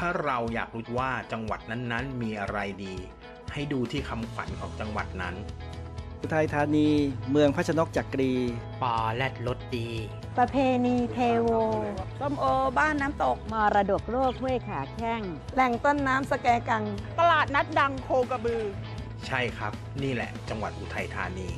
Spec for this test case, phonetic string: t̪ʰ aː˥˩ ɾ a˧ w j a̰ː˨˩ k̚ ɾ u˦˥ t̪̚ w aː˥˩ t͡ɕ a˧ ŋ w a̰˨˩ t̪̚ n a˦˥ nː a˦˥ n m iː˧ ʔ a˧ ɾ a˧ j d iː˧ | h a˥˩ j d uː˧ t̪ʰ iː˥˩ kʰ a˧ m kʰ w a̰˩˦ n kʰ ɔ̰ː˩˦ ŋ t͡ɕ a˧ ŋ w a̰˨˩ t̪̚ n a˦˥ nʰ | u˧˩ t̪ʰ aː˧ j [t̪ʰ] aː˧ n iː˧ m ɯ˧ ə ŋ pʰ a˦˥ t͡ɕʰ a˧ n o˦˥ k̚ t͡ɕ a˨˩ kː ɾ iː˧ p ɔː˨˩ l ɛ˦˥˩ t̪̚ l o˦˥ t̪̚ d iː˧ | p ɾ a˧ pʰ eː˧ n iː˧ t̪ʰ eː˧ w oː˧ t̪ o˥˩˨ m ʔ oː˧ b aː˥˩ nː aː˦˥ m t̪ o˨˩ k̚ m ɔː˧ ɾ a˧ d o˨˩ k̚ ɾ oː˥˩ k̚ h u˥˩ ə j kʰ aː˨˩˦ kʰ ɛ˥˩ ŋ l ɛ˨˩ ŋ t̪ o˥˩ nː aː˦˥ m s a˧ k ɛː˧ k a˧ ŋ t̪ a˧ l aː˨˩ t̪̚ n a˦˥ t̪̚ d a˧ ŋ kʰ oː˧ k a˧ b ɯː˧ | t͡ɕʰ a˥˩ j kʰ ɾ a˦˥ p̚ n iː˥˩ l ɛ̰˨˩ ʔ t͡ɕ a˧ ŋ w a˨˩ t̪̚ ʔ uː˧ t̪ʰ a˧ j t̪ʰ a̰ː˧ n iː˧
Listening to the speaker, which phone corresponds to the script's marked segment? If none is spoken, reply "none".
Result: t̪ʰ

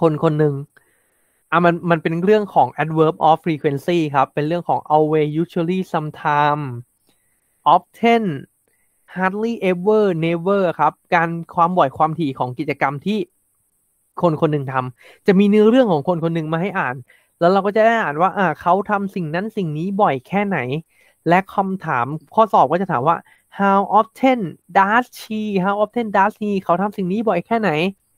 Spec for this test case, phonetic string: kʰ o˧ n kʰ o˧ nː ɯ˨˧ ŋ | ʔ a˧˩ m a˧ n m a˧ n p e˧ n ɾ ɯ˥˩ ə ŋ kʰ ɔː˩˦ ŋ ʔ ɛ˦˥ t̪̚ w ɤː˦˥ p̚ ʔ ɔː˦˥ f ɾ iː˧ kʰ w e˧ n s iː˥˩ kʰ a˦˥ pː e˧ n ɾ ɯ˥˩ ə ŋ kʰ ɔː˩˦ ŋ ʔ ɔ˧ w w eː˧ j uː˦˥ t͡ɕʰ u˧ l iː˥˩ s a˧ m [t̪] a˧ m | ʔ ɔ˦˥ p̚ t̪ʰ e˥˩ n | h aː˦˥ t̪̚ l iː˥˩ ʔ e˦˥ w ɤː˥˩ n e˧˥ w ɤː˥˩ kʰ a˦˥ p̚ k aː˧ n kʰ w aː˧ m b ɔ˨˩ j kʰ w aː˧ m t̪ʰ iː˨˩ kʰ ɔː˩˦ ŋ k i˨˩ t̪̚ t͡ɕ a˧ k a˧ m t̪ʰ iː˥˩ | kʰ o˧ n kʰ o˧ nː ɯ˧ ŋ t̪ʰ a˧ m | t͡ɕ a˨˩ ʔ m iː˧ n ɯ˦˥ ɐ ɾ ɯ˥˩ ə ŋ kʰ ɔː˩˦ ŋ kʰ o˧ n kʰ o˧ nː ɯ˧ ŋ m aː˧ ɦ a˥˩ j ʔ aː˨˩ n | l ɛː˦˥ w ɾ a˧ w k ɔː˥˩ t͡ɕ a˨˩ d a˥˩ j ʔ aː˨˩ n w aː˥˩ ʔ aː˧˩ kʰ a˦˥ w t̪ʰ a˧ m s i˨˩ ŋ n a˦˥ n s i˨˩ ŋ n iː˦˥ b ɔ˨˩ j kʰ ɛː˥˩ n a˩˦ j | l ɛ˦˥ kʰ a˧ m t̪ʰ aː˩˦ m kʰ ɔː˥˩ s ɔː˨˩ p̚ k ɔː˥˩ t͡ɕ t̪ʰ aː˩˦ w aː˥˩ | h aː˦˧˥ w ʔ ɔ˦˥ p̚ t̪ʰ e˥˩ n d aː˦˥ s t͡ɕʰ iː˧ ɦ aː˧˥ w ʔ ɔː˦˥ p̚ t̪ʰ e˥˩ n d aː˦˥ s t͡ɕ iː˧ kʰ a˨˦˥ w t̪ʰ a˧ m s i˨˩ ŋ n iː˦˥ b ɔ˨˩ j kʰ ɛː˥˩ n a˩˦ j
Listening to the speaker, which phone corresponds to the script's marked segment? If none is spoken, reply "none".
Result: t̪ʰ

